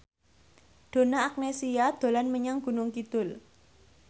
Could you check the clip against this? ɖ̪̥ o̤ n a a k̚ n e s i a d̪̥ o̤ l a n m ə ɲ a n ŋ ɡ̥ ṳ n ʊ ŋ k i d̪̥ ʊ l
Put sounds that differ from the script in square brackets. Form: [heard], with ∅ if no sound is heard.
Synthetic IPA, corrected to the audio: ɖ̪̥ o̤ n a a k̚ n e s i a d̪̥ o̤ l a n m ə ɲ a [∅] ŋ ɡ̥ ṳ n ʊ ŋ k i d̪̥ ʊ l